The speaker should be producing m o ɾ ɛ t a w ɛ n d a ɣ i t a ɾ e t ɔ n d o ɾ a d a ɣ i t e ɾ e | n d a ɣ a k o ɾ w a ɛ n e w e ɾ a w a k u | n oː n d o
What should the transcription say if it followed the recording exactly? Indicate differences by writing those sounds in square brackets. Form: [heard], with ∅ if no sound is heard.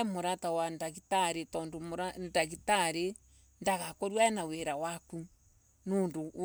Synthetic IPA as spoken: m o ɾ [a] t a w [a] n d a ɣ i t a ɾ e t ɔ n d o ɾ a d a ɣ i t [a] ɾ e | n d a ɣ a k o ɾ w a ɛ n [a] w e ɾ a w a k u | n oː n d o